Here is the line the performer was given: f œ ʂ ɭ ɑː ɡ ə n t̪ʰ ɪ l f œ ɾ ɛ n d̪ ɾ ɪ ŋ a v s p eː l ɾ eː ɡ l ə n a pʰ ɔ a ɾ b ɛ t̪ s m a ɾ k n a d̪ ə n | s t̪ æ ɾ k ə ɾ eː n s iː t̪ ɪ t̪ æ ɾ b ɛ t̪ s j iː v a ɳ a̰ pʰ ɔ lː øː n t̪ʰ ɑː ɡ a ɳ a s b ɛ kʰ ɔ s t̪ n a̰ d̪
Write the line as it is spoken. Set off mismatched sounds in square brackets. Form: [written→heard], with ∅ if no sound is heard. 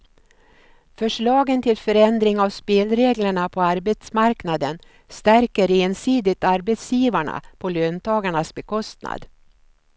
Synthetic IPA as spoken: f œ ʂ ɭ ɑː ɡ ə n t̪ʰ ɪ l f œ ɾ ɛ n d̪ ɾ ɪ ŋ a v s p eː l ɾ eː ɡ l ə [n→ɳ] a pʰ ɔ a ɾ b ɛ t̪ s m a ɾ k n a d̪ ə n | s t̪ æ ɾ k ə ɾ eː n s iː [t̪→d̪] ɪ t̪ [æ→a] ɾ b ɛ t̪ s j iː v a ɳ a̰ pʰ ɔ [lː→l] øː n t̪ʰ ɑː ɡ a ɳ a s b ɛ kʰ ɔ s t̪ n a̰ d̪